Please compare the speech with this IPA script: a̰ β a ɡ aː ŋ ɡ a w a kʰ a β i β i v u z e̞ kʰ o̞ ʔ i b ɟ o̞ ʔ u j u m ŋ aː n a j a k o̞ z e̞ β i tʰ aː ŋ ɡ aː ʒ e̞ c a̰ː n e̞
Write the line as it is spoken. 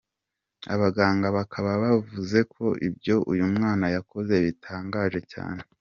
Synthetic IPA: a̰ β a ɡ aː ŋ ɡ a β a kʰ a β a β a v u z e̞ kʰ o̞ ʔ i b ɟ o̞ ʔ u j u m ŋ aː n a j a k o̞ z e̞ β i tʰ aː ŋ ɡ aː ʒ e̞ c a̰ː n e̞